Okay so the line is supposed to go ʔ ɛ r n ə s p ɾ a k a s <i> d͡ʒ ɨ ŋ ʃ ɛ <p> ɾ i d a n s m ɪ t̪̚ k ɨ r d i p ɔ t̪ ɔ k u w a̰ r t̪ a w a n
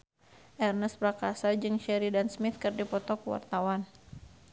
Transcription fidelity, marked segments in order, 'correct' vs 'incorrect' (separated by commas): incorrect, incorrect